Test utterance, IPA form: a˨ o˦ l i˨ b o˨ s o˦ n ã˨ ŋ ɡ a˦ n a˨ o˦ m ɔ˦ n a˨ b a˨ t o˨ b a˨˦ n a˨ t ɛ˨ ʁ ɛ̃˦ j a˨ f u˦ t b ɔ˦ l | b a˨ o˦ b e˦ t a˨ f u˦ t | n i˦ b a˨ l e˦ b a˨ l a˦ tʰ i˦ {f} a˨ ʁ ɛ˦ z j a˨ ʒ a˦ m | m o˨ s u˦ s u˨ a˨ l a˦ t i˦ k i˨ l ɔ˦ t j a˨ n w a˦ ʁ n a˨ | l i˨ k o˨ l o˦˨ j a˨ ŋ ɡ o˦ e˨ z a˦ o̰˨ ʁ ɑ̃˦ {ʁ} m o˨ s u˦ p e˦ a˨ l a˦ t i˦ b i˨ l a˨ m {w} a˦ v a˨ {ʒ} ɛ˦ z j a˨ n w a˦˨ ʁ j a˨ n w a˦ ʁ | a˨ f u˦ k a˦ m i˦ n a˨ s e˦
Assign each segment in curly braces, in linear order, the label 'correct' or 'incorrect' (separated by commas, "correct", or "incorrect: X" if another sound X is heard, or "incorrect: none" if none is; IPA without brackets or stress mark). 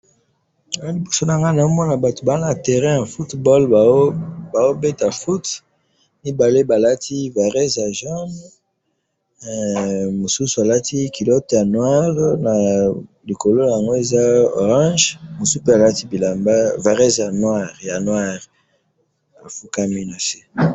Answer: incorrect: v, incorrect: ʒ, incorrect: b, incorrect: ʁ